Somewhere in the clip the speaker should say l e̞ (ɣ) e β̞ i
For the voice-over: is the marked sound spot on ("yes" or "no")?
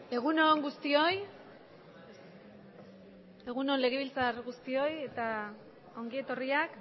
yes